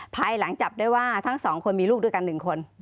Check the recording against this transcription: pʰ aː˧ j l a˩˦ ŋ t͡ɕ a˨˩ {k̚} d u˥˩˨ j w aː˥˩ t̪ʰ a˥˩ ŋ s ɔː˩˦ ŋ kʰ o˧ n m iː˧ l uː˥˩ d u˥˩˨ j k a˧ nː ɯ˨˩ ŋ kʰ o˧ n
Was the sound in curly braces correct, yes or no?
no